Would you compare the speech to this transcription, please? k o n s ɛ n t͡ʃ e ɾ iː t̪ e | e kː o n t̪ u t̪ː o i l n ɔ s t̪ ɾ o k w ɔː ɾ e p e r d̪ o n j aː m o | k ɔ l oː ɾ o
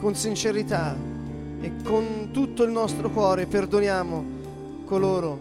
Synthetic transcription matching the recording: k o n s i n t͡ʃ e ɾ i t̪ a | e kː o n t̪ u t̪ː o i l n ɔ s t̪ ɾ o k w ɔː ɾ e p e r d̪ o n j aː m o | k o l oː ɾ o